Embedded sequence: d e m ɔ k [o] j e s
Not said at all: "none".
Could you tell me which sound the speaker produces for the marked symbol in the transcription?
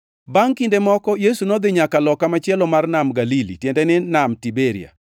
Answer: ɔ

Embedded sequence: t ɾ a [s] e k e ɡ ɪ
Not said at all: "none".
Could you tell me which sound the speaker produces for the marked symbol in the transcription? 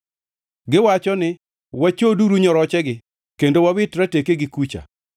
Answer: t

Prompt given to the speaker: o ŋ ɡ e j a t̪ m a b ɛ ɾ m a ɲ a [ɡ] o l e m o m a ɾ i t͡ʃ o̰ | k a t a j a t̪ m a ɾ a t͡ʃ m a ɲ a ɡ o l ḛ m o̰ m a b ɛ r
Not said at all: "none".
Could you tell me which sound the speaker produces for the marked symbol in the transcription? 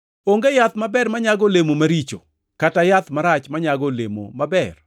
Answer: ɡ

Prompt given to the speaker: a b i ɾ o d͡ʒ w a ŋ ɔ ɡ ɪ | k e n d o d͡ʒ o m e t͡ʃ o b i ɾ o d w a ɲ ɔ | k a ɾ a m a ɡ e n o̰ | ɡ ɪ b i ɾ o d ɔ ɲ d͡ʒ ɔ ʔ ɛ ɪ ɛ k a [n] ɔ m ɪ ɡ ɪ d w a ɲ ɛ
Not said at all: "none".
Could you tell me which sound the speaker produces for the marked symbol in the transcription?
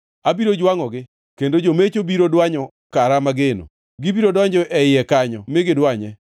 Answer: ɲ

